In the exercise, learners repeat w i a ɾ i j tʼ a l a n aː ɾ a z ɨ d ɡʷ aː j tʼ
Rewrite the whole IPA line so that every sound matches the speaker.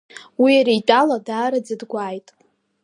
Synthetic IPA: w i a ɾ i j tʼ a l a d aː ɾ a d͡z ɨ d ɡʷ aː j tʼ